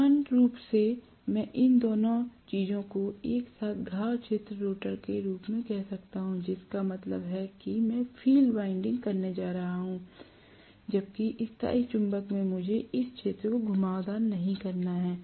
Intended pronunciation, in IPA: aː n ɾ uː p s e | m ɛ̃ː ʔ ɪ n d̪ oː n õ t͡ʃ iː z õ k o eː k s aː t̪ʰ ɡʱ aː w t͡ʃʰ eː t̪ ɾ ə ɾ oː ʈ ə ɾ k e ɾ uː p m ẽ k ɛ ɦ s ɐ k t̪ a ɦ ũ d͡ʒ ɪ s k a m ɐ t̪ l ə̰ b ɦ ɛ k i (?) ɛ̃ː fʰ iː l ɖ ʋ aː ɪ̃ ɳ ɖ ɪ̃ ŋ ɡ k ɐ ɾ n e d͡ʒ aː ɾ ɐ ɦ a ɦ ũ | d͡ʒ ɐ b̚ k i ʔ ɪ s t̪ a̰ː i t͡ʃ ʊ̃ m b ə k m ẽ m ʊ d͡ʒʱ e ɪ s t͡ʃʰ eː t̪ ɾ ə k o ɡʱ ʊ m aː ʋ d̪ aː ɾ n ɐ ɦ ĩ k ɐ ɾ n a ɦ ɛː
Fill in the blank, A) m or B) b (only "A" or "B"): A